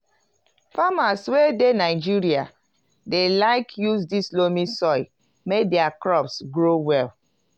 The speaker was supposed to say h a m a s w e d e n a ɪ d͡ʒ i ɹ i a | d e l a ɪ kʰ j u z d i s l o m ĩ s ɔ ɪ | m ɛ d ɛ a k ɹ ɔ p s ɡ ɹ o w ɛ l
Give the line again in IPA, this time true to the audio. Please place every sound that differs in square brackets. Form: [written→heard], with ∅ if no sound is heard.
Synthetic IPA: [h→f] a m a s w e d e n a ɪ d͡ʒ i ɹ i a | d e l a ɪ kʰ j u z d i s l o m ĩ s ɔ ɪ | m [ɛ→e] d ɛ a k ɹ ɔ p s ɡ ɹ o w ɛ l